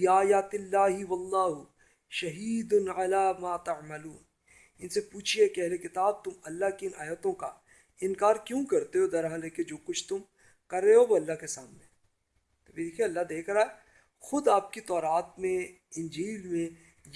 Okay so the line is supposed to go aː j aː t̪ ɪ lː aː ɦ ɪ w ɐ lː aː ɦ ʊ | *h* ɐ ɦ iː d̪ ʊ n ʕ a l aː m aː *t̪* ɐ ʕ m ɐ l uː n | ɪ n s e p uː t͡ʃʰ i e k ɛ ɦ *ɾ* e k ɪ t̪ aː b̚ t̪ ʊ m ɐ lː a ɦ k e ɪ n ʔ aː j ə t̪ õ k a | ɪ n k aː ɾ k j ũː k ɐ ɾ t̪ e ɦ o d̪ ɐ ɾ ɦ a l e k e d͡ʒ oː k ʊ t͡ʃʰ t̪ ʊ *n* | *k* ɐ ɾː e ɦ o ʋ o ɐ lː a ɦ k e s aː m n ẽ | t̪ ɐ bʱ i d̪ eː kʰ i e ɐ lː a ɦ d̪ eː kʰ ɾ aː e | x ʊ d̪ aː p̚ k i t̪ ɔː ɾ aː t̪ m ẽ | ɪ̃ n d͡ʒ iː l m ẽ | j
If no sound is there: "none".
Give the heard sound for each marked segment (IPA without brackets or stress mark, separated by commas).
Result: ʃ, t̪, l, m, k